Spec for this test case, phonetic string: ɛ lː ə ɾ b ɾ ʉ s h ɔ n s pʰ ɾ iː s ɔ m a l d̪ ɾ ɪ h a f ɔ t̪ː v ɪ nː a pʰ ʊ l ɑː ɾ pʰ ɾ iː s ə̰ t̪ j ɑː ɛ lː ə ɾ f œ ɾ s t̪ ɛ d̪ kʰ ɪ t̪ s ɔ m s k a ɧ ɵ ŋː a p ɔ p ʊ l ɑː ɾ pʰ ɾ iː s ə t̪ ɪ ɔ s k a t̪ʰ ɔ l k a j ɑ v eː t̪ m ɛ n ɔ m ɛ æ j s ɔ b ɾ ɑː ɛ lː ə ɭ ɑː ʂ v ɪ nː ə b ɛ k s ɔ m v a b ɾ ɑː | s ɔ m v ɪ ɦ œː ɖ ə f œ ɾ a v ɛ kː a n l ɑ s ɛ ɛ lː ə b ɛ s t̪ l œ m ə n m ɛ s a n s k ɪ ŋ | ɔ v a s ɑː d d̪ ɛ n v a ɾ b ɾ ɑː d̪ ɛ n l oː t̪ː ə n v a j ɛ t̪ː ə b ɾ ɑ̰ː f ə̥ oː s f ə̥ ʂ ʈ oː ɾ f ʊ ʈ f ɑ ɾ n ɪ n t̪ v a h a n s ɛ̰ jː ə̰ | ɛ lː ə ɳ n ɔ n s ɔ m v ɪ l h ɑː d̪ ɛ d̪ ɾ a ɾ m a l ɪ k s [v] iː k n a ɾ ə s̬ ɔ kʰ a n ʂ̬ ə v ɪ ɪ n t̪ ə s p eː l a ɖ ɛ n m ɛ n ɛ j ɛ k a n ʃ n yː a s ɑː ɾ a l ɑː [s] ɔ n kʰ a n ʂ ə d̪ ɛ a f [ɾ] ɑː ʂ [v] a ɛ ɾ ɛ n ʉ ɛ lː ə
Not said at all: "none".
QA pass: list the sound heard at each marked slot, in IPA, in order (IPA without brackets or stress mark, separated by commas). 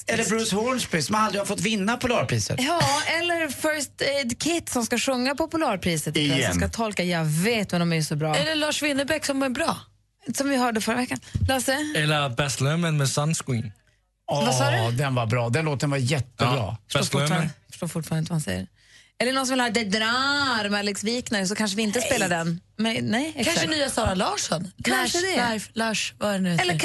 v, ʂ, l, v